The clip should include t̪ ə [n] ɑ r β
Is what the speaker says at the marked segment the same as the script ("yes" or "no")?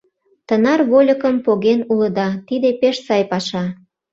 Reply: yes